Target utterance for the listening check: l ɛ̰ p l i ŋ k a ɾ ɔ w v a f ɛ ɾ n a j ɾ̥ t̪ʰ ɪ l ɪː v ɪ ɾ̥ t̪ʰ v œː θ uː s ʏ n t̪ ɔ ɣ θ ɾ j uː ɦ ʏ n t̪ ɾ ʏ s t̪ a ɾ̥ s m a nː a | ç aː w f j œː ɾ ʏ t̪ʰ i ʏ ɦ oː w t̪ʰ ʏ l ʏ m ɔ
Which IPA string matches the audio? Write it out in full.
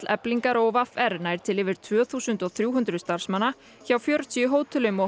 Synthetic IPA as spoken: l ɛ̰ p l i ŋ k a ɾ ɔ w v a f ɛ ɾ n a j ɾ̥ t̪ʰ ɪ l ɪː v ɪ ɾ̥ t̪ʰ v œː θ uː s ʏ n t̪ ɔ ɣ θ ɾ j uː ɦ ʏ n t̪ ɾ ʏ s t̪ a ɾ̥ s m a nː a | ç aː w f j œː ɾ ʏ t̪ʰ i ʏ ɦ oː w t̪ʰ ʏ l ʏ m ɔ